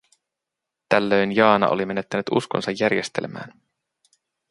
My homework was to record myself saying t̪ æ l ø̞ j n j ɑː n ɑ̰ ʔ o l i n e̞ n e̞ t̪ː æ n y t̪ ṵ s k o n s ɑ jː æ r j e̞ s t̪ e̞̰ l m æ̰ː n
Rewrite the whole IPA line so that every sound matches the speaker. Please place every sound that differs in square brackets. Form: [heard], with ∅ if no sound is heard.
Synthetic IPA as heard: t̪ æ [lː] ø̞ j n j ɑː n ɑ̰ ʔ o l i [m] e̞ n e̞ t̪ː æ n y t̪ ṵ s k o n s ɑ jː æ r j e̞ s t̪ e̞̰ l m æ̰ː n